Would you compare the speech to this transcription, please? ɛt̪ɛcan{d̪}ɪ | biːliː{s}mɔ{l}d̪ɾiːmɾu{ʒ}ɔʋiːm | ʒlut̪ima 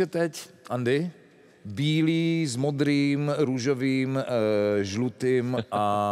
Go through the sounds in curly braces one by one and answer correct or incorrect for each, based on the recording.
correct, incorrect: z, incorrect: none, correct

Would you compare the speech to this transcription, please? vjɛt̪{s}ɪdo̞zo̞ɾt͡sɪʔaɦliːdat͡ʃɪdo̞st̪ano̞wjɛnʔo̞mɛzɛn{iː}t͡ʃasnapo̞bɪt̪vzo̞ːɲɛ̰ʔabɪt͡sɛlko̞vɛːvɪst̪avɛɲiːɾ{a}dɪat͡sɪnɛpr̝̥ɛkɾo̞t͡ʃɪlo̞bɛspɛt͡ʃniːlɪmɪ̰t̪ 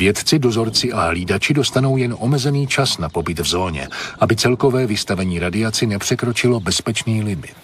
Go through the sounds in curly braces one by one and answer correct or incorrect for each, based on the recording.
incorrect: t͡s, correct, correct

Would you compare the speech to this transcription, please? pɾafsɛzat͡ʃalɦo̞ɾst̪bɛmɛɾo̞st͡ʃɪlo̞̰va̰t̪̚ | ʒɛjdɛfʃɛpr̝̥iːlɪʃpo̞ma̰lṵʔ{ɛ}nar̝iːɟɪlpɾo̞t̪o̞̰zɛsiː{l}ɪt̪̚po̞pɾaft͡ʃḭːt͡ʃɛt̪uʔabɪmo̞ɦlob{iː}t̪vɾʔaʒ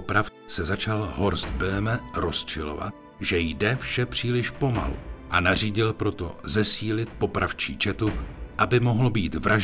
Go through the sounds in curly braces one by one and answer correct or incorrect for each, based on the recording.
incorrect: a, correct, correct

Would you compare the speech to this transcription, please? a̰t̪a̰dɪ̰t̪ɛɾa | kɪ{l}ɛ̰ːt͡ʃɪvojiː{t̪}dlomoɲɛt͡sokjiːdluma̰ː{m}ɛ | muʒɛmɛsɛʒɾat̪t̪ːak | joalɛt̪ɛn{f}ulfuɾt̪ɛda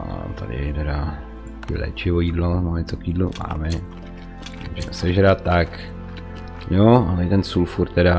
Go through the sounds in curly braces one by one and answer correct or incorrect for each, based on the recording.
correct, incorrect: none, correct, incorrect: s

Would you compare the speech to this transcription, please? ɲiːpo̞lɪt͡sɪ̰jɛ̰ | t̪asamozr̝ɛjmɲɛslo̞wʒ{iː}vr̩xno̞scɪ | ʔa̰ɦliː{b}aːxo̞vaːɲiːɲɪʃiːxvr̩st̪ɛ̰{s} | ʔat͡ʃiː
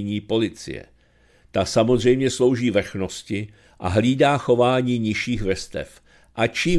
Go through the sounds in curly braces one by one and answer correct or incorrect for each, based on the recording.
correct, incorrect: d, incorrect: f

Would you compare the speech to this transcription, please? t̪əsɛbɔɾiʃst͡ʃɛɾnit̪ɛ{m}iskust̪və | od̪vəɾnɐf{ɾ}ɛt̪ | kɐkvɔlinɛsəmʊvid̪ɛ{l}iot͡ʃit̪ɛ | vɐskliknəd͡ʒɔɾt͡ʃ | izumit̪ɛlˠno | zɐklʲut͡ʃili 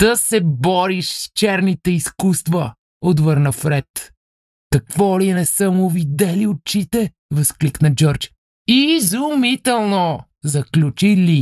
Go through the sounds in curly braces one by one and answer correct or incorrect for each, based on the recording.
incorrect: none, correct, correct

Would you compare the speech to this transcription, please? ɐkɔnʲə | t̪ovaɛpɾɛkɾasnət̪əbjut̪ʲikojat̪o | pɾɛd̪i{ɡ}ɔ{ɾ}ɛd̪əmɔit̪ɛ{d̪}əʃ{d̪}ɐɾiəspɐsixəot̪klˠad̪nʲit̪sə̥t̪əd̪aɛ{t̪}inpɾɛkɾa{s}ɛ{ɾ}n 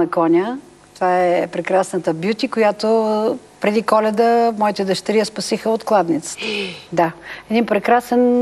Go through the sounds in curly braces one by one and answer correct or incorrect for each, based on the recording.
incorrect: k, incorrect: l, correct, incorrect: t̪, incorrect: d̪, correct, incorrect: none

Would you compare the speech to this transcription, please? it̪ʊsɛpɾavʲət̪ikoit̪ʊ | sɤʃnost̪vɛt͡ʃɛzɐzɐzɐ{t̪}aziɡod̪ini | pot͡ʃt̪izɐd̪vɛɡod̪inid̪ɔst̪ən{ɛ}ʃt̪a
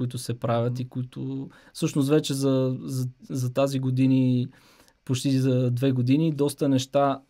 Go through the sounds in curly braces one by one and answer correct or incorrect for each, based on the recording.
correct, correct

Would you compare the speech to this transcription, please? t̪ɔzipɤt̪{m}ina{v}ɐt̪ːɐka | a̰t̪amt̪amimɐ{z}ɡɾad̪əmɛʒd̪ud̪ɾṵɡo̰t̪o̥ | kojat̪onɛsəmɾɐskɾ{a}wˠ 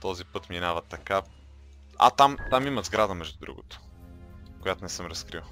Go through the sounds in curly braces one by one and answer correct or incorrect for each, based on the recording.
correct, correct, correct, incorrect: i

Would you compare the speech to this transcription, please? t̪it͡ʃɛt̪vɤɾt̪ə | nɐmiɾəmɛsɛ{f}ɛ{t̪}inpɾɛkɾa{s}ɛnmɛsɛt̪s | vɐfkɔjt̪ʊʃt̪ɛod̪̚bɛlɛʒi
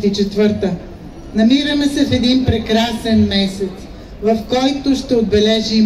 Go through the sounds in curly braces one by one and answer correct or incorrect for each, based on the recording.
correct, incorrect: d̪, correct

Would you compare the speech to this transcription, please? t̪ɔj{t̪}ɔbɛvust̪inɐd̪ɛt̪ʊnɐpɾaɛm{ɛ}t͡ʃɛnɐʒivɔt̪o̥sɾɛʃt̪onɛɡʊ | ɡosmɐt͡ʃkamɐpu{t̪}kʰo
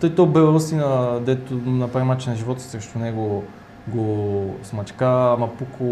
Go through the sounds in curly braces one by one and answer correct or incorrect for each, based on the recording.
correct, incorrect: a, incorrect: none

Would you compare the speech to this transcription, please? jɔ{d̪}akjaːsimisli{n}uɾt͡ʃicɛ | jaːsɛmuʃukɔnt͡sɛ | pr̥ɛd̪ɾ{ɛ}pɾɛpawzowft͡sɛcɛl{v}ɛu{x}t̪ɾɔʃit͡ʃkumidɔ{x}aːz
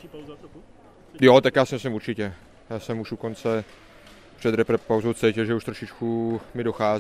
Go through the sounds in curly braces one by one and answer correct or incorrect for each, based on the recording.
incorrect: t̪, incorrect: m, correct, incorrect: ʒ, incorrect: ʃ, correct

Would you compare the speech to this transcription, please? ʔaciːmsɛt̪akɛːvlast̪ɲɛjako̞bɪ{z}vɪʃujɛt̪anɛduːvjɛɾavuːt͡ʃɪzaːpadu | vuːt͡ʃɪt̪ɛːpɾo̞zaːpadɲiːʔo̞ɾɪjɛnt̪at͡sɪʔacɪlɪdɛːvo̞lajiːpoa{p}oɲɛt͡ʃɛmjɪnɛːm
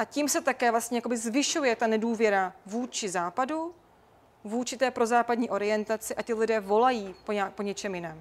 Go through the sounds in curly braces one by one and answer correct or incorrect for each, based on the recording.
correct, correct

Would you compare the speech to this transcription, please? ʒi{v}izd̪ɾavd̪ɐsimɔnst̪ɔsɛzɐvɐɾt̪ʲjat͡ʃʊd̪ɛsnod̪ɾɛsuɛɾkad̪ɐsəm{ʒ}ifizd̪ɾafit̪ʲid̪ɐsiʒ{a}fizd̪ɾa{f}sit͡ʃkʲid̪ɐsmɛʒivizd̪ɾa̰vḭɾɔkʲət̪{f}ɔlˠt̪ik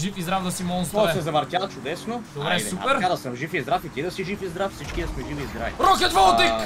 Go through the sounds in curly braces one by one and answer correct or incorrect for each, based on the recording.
incorrect: f, correct, incorrect: i, correct, incorrect: v

